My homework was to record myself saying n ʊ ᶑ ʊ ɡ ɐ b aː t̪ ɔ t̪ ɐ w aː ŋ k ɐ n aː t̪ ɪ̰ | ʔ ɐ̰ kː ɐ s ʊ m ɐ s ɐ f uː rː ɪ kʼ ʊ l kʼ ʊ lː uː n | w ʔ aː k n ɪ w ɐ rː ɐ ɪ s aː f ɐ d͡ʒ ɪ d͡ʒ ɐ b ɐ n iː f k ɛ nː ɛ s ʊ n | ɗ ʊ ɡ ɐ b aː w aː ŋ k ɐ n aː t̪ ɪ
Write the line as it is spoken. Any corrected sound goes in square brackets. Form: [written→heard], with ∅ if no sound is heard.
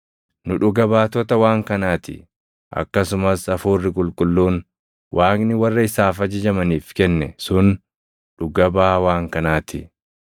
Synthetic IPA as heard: n ʊ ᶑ ʊ ɡ ɐ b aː t̪ ɔ t̪ ɐ w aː ŋ k ɐ n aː t̪ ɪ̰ | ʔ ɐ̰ kː ɐ s ʊ m ɐ s ɐ f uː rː ɪ kʼ ʊ l kʼ ʊ lː uː n | w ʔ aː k n ɪ w ɐ rː ɐ ɪ s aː f ɐ d͡ʒ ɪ d͡ʒ ɐ [b→m] ɐ n iː f k ɛ nː ɛ s ʊ n | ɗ ʊ ɡ ɐ b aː w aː ŋ k ɐ n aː t̪ ɪ